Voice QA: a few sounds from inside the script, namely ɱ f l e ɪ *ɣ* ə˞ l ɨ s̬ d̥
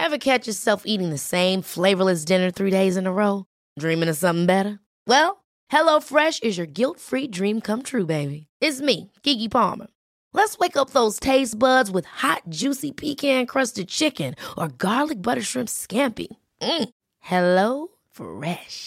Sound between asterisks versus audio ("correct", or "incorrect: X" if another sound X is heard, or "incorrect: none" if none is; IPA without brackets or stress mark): incorrect: v